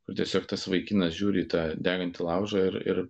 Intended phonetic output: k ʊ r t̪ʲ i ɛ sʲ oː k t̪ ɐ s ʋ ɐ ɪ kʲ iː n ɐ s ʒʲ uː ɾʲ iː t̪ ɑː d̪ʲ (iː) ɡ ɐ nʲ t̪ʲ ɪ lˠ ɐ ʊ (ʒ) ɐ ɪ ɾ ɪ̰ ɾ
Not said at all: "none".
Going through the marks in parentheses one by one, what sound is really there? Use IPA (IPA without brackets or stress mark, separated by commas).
æː, ʒ